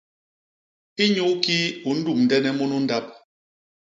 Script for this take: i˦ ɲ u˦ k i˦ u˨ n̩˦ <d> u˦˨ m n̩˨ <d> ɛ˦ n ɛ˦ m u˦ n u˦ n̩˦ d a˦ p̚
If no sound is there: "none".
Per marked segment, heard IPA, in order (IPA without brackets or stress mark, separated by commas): d, d